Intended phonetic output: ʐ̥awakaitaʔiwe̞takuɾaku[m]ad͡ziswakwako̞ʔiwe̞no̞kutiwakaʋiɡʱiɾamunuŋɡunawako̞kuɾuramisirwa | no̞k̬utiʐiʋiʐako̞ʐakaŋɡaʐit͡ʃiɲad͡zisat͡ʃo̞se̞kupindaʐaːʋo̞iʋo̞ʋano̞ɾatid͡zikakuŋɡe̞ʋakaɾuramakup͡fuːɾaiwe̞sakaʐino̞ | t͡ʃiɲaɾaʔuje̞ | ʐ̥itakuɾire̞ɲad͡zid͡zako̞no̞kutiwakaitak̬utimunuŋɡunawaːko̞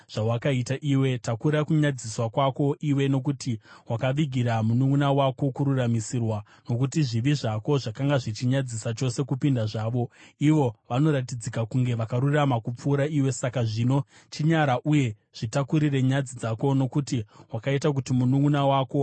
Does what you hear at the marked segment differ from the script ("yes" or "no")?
yes